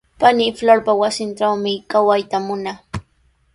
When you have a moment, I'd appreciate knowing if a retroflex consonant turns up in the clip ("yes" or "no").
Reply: yes